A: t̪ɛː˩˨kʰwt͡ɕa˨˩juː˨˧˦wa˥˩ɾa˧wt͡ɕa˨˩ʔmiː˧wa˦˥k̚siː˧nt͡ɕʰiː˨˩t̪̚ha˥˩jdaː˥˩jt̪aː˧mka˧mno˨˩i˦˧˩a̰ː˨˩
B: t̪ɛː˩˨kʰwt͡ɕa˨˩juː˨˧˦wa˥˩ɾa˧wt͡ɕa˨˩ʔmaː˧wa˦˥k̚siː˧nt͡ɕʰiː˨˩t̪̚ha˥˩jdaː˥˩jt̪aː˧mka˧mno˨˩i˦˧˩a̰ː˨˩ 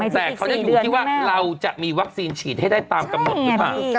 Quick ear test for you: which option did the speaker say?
A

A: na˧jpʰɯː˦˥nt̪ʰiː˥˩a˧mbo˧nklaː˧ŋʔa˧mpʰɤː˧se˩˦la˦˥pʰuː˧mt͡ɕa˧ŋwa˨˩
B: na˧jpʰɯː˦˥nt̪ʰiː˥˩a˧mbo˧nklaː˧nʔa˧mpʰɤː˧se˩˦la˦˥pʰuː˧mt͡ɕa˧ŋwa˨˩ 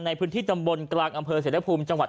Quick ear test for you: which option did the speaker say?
A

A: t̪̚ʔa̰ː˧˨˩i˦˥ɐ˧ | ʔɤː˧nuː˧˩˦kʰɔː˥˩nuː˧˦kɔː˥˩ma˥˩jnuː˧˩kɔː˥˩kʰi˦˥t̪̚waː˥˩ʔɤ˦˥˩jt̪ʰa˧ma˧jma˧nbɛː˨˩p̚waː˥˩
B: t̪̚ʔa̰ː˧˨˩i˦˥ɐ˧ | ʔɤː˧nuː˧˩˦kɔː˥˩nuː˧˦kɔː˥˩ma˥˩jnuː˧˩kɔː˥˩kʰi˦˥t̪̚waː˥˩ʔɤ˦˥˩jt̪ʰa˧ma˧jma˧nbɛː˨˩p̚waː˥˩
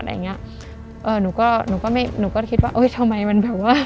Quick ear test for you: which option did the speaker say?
B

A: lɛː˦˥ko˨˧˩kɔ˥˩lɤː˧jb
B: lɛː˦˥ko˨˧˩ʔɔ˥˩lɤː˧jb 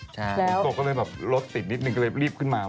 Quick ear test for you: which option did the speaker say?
A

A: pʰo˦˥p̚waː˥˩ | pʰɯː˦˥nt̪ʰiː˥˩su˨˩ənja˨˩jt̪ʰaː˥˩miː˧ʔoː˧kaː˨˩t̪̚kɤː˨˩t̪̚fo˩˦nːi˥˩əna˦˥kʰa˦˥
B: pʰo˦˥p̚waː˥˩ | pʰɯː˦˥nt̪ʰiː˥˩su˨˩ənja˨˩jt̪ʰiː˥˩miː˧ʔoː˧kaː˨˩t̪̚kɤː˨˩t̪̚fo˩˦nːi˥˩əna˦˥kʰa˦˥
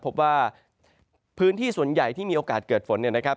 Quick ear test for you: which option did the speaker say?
B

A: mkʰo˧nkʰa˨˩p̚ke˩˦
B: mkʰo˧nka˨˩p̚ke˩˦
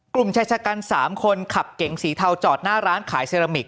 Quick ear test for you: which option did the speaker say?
A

